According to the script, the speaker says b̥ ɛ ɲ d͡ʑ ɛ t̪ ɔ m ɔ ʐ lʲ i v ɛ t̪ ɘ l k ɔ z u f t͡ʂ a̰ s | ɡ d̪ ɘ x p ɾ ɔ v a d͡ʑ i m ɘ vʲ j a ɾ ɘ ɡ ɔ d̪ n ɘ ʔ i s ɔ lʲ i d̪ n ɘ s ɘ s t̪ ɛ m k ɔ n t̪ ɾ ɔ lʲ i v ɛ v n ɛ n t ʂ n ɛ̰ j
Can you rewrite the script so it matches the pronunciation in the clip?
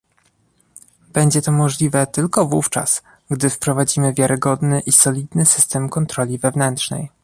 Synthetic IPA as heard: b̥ ɛ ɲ d͡ʑ ɛ t̪ ɔ m ɔ ʐ lʲ i v ɛ t̪ ɘ l k ɔ v u f t͡ʂ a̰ s | ɡ d̪ ɘ f p ɾ ɔ v a d͡ʑ i m ɘ vʲ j a ɾ ɘ ɡ ɔ d̪ n ɘ ʔ i s ɔ lʲ i d̪ n ɘ s ɘ s t̪ ɛ m k ɔ n t̪ ɾ ɔ lʲ i v ɛ v n ɛ n t ʂ n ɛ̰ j